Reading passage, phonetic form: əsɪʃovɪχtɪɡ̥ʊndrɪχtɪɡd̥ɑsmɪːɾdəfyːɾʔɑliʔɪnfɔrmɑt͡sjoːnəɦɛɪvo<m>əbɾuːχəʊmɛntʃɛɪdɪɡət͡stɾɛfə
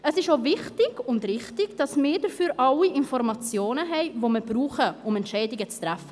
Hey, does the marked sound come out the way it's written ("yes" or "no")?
yes